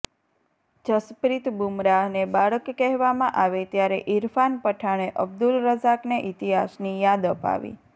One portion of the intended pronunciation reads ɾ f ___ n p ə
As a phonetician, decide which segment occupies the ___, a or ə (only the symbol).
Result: a